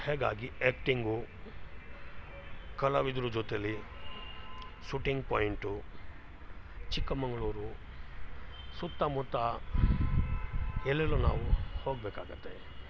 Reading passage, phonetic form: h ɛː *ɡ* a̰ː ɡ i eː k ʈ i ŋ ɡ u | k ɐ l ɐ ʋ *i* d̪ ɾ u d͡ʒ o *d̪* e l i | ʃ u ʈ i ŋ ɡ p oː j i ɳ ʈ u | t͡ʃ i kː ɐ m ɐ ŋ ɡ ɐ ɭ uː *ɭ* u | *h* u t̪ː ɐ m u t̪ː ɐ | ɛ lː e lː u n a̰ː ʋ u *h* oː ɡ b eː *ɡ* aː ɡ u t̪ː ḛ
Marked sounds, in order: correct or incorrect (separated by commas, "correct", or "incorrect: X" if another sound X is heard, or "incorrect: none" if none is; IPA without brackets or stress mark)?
correct, correct, incorrect: t̪, incorrect: ɾ, incorrect: s, correct, incorrect: k